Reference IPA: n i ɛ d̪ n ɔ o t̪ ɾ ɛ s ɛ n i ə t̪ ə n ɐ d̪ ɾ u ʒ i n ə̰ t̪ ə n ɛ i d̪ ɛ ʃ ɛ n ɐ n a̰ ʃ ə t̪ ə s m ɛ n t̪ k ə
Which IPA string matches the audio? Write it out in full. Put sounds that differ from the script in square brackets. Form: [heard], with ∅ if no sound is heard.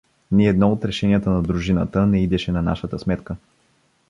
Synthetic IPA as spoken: n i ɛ d̪ n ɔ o t̪ ɾ ɛ [ʃ] ɛ n i ə t̪ ə n ɐ d̪ ɾ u ʒ i n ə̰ t̪ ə n ɛ i d̪ ɛ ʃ ɛ n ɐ n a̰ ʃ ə t̪ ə s m ɛ [∅] t̪ k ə

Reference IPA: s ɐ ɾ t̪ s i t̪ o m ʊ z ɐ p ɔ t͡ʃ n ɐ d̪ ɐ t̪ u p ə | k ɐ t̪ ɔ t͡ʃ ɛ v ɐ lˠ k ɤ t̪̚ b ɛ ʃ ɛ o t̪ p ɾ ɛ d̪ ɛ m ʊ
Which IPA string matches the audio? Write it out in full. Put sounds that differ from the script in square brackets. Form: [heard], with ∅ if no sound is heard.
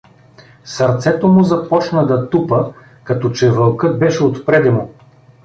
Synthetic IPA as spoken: s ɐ ɾ t̪ s [ɛ] t̪ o m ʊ z ɐ p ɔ t͡ʃ n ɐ d̪ ɐ t̪ u p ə | k ɐ t̪ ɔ t͡ʃ ɛ v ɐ lˠ k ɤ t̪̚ b ɛ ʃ ɛ o t̪ p ɾ ɛ d̪ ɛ m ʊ

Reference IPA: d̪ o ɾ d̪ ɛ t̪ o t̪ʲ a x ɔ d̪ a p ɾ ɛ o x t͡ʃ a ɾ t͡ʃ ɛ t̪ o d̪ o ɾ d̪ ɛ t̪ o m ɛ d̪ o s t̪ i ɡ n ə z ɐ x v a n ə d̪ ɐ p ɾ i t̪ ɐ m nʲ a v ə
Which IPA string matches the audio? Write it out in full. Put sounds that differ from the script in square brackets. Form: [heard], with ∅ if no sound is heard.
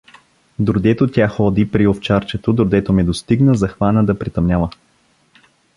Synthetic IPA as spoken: d̪ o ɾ d̪ ɛ t̪ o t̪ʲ a x ɔ d̪ [i] p ɾ [i] o [f] t͡ʃ a ɾ t͡ʃ ɛ t̪ o d̪ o ɾ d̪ ɛ t̪ o m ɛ d̪ o s t̪ i ɡ n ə z ɐ x v a n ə d̪ ɐ p ɾ i t̪ ɐ m nʲ a v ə

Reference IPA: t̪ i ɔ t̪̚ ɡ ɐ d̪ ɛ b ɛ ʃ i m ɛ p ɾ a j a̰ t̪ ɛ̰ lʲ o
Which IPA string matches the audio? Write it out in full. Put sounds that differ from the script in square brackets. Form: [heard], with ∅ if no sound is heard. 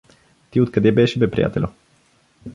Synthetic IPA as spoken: t̪ i [o] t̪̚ [k] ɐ d̪ ɛ b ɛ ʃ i [b] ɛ p ɾ [i] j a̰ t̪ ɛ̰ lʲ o

